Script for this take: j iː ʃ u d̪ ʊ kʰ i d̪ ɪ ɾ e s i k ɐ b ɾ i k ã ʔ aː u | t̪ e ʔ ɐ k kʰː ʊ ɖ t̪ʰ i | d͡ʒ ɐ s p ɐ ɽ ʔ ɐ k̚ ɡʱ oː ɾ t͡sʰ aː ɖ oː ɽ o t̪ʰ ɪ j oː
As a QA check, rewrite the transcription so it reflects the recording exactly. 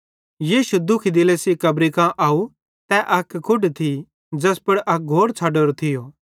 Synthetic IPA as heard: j iː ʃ u d̪ ʊ kʰ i d̪ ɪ l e s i k ɐ b ɾ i k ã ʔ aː u | t̪ ɛ ʔ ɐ k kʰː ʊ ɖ t̪ʰ i | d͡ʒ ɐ s p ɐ ɽ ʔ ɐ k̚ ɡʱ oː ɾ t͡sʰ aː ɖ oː ɾ o t̪ʰ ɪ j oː